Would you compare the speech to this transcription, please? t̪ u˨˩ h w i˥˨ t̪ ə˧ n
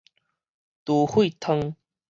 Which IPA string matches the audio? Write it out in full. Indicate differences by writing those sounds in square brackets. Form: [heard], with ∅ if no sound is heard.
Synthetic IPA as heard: t̪ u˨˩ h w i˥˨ [t̪ʰ] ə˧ [ŋ]

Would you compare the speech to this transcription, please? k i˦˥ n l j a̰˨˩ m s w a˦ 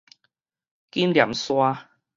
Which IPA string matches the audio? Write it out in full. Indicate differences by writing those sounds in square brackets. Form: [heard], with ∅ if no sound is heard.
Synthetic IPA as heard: k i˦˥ n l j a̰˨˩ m s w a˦

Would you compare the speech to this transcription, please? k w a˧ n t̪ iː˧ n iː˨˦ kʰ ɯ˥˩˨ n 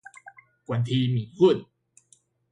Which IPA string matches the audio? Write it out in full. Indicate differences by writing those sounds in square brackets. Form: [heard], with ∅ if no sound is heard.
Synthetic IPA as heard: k w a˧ n [t̪ʰ] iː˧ [m] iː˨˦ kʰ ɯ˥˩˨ n

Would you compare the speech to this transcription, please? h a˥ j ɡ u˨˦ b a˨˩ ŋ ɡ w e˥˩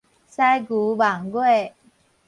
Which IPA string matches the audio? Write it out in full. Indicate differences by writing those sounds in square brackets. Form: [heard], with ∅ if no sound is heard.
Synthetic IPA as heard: [s] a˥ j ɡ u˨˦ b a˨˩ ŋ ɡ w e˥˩

